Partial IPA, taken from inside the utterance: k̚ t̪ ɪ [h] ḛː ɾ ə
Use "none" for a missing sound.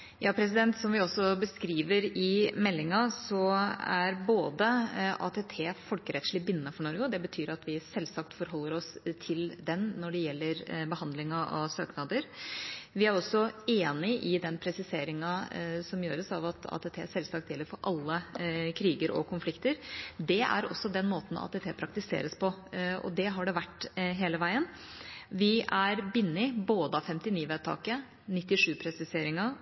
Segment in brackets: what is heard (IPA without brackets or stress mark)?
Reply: s